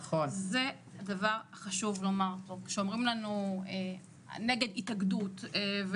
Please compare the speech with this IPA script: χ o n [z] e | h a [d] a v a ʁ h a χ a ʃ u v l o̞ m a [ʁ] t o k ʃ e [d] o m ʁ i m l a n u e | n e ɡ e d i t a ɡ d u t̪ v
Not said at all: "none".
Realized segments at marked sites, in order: z, d, ʁ, none

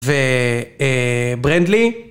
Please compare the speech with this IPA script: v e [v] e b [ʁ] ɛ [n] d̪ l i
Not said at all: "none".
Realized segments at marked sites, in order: none, ʁ, n

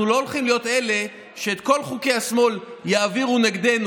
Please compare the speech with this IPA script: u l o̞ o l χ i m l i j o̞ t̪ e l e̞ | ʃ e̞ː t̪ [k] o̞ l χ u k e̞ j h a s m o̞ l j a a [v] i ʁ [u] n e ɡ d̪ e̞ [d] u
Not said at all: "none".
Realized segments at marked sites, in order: k, v, u, n

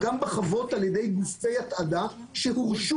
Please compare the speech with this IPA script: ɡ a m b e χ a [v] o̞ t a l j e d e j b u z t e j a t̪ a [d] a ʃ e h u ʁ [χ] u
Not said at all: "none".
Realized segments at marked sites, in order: v, d, ʃ

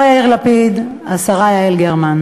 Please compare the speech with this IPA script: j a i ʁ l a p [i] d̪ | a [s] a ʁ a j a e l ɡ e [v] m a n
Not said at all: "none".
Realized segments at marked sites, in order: i, s, ʁ

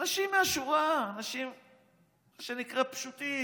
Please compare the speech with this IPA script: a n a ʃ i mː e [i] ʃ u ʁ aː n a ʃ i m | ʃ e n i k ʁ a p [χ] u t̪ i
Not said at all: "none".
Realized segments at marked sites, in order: a, ʃ

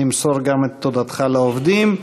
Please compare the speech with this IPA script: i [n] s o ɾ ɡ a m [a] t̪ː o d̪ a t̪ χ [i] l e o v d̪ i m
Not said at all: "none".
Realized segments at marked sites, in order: m, e, a

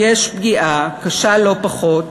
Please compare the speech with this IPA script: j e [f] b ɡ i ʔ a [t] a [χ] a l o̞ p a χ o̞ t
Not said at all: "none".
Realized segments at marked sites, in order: ʃ, k, ʃ

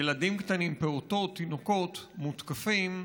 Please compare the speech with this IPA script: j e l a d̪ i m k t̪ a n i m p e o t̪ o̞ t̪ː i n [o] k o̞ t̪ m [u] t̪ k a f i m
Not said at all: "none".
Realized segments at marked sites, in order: o, u

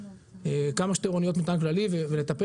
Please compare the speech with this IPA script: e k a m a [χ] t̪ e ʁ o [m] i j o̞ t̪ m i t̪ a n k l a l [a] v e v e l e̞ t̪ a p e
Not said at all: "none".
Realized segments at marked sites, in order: ʃ, n, i

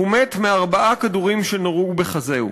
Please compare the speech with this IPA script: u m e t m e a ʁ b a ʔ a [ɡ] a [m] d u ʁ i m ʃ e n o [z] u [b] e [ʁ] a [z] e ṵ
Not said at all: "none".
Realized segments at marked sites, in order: k, none, ʁ, b, χ, z

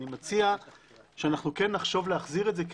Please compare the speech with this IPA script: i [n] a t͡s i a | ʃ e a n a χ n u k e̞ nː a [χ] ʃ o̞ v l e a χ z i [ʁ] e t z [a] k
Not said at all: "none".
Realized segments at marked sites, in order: m, χ, ʁ, e

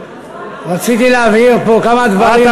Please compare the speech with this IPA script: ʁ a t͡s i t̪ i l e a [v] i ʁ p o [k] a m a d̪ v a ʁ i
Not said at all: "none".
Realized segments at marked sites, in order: v, k

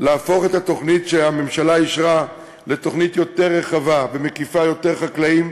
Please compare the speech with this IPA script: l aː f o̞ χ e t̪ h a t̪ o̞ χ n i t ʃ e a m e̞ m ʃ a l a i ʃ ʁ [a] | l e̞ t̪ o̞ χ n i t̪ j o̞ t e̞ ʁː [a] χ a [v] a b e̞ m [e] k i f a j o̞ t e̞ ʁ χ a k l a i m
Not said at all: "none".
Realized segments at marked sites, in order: a, e, v, e

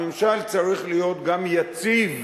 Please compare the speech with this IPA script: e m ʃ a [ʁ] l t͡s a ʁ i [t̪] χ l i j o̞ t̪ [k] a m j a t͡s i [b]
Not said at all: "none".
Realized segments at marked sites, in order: none, none, ɡ, v

